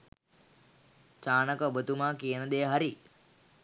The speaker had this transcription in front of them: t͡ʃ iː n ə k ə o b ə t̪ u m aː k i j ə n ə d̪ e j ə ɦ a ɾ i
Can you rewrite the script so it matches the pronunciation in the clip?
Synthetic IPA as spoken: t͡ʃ aː n ə k ə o b ə t̪ u m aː k i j ə n ə d̪ e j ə ɦ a ɾ i